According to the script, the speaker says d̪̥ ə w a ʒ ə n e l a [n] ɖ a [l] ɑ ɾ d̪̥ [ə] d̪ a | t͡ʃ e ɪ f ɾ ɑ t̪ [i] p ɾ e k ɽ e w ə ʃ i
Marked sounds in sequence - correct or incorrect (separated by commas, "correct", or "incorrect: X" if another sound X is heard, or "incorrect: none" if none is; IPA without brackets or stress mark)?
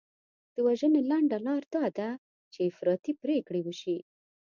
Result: incorrect: ɳ, correct, incorrect: ɑ, correct